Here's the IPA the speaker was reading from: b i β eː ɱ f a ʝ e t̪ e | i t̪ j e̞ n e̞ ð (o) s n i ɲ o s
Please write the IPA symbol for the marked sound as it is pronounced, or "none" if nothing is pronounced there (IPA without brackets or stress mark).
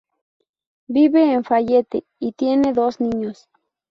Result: o